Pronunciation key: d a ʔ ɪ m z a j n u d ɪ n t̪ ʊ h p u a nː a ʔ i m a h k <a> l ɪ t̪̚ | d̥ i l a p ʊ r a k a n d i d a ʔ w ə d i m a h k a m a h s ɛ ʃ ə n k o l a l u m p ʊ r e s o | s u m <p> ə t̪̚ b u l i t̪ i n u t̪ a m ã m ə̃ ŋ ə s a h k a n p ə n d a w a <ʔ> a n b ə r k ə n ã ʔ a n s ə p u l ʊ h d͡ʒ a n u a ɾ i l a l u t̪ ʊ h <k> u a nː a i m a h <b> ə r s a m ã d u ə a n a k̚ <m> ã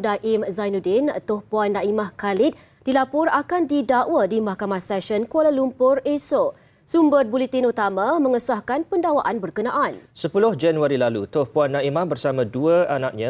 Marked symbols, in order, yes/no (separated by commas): yes, no, yes, no, yes, no